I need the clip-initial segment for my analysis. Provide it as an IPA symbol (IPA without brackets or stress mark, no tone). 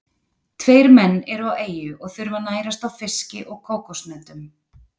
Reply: t̪ʰ